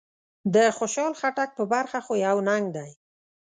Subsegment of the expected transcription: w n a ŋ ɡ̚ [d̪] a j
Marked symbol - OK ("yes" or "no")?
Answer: yes